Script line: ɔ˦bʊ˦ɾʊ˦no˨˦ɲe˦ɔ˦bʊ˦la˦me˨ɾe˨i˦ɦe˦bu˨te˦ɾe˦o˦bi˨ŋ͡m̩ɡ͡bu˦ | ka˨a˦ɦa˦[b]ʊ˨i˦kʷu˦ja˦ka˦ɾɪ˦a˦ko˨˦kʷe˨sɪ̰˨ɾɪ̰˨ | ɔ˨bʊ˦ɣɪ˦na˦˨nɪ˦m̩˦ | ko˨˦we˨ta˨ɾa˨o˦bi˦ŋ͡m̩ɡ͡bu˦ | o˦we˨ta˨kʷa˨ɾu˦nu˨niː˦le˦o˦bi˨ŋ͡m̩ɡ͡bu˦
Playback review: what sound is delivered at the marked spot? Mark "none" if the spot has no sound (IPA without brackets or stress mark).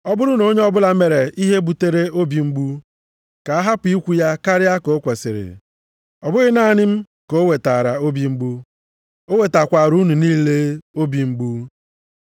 p